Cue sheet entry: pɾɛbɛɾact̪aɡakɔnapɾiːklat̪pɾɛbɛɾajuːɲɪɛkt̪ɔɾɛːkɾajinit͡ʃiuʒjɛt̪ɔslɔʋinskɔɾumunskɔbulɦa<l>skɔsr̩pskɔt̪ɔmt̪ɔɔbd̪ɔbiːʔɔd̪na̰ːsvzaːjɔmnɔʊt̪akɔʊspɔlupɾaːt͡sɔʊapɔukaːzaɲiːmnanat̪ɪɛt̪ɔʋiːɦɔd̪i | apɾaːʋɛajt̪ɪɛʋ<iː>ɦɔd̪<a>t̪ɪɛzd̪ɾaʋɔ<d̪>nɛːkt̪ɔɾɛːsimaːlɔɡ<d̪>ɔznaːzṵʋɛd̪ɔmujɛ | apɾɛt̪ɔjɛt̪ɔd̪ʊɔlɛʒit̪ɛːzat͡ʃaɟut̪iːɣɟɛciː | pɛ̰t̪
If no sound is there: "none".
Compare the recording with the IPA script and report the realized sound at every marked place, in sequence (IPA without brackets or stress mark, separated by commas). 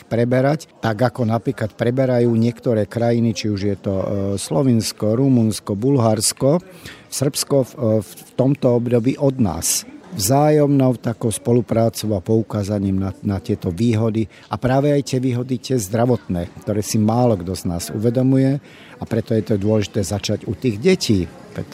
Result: ɾ, iː, i, t̪, d̪